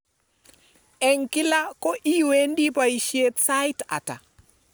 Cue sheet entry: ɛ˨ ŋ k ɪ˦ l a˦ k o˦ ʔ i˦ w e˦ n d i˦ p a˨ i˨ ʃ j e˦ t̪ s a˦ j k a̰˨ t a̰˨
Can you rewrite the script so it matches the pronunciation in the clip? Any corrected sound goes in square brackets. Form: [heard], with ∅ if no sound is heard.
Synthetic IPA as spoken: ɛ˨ ŋ k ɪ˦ l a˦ k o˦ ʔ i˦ w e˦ n d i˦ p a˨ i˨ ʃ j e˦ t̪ s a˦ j [t] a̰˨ t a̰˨

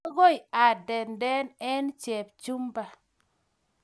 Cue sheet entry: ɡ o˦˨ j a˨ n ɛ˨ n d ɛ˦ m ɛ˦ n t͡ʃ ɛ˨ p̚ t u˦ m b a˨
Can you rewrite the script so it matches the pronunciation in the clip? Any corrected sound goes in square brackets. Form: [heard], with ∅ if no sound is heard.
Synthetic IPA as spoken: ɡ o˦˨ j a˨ [d] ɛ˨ n d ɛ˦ [n] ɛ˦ n t͡ʃ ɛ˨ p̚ [t͡ʃ] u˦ m b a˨

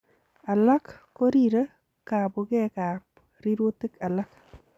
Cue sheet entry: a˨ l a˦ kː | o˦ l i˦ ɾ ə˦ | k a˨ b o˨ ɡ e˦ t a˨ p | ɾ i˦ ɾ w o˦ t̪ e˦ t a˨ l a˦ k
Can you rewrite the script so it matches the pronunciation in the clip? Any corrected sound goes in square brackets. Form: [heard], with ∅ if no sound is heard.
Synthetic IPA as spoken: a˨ l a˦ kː | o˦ [ɾ] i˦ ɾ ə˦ | k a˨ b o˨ ɡ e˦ [k] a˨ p | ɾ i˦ ɾ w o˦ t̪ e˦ [k] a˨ l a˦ k

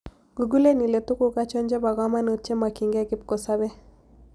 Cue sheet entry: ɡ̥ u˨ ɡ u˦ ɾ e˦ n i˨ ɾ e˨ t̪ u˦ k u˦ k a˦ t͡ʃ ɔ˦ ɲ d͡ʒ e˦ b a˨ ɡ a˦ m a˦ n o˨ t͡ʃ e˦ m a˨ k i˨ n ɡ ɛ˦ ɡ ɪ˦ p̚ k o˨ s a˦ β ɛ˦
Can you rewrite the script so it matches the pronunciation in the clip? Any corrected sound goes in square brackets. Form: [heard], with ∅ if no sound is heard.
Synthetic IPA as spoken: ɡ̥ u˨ ɡ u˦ [l] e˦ n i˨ [l] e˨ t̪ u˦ k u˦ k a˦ t͡ʃ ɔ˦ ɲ d͡ʒ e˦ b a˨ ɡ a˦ m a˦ n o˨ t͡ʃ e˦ m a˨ k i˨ [ŋ] ɡ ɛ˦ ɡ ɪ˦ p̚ k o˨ s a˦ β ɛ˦

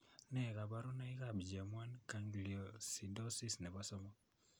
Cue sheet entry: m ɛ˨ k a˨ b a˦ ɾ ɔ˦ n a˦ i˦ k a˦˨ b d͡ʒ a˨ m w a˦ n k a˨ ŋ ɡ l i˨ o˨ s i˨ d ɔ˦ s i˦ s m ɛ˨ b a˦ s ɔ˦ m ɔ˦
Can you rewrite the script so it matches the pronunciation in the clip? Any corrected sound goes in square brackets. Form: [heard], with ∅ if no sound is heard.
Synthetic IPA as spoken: [n] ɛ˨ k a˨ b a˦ ɾ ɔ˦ n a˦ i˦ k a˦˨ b d͡ʒ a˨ m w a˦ n k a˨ ŋ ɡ l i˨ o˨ s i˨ d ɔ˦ s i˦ s [n] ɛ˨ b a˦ s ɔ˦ m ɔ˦

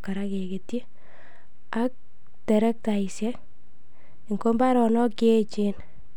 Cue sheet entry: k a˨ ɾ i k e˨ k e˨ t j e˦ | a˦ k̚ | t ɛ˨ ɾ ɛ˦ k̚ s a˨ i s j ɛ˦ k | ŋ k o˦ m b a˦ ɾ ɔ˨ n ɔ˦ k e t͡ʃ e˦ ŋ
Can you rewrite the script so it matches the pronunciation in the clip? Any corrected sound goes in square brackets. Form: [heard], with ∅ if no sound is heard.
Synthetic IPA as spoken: k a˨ ɾ [a] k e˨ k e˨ t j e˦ | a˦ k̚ | t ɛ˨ ɾ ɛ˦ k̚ [t] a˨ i s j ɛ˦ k | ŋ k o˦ m b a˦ ɾ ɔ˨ n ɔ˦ k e t͡ʃ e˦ [n]

